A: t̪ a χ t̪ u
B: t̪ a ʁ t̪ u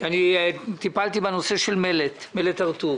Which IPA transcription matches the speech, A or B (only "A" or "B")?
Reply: B